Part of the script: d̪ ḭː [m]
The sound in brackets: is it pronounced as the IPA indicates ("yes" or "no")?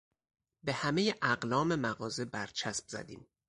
yes